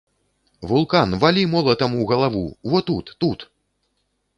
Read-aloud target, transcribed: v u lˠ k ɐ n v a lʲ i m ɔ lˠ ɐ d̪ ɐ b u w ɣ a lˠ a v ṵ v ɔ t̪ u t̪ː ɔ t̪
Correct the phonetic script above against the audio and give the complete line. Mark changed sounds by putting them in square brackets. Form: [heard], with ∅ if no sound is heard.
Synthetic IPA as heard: v u lˠ k [a] n v a lʲ i m ɔ lˠ ɐ [t̪] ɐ [m] u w ɣ [ɐ] lˠ a v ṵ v ɔ t̪ u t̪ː [u] t̪